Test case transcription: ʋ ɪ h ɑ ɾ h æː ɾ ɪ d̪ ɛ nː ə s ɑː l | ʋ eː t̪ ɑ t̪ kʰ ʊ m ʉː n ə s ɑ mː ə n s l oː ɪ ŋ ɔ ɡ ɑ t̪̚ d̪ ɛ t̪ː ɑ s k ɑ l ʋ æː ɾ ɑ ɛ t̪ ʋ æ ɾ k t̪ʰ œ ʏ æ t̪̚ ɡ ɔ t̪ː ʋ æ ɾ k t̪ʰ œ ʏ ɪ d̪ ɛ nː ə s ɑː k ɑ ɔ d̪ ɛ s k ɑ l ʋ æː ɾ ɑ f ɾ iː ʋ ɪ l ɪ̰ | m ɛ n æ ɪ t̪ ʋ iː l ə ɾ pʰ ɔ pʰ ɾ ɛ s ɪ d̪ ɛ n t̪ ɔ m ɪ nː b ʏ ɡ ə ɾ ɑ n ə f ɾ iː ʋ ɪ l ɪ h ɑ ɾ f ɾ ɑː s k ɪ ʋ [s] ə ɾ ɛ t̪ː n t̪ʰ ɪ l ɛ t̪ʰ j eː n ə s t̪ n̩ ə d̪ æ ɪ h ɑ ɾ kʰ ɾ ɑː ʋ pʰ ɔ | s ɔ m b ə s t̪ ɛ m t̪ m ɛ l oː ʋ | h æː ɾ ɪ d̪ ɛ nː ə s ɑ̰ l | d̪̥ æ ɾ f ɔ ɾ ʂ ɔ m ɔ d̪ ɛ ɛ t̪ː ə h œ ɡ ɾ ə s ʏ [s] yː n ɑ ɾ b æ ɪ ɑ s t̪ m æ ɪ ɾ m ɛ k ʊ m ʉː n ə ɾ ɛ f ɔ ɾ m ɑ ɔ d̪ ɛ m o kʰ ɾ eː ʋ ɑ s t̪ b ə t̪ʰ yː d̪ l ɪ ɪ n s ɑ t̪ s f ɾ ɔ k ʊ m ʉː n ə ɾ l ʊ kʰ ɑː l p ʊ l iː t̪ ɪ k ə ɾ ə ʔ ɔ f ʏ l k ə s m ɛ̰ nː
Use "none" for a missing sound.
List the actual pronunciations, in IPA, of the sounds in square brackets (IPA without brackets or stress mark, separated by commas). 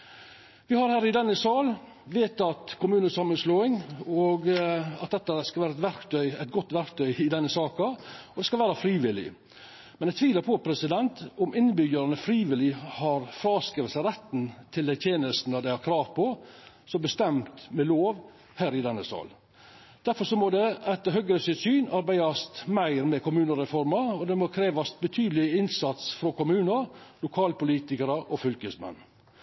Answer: s, s